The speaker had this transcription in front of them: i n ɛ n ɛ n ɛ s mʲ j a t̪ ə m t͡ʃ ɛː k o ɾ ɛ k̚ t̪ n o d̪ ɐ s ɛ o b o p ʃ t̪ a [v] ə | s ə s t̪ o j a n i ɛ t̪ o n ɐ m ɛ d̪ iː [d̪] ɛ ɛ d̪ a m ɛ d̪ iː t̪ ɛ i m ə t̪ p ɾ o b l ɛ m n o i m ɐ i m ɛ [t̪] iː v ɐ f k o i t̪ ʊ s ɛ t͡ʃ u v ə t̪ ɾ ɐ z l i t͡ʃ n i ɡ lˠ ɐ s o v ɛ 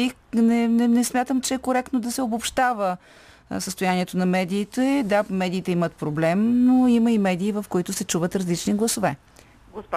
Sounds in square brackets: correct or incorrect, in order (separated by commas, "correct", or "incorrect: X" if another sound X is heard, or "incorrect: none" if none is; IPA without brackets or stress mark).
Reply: correct, incorrect: t̪, incorrect: d̪